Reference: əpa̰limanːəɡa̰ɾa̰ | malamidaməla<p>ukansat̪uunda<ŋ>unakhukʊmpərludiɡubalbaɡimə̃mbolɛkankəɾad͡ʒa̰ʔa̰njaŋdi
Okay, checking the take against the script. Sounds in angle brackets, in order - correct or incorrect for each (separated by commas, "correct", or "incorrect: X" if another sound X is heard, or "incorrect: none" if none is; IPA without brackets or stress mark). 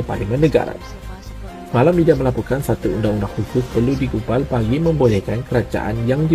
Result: correct, correct